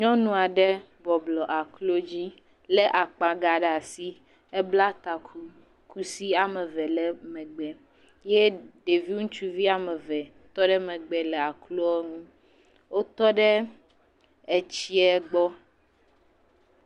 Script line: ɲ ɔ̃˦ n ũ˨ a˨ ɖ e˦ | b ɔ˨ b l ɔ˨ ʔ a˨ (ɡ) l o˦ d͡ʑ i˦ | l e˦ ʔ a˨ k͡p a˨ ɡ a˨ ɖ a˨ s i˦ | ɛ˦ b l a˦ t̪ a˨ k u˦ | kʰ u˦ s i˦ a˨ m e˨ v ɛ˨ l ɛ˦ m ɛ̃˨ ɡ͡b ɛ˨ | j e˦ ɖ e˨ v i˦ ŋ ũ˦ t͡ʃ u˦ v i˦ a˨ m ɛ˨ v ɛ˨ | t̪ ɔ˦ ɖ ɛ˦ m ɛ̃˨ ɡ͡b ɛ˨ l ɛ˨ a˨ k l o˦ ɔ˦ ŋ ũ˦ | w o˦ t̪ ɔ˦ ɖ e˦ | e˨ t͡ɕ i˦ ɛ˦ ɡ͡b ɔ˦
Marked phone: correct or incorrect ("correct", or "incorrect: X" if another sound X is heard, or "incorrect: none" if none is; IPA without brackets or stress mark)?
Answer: incorrect: k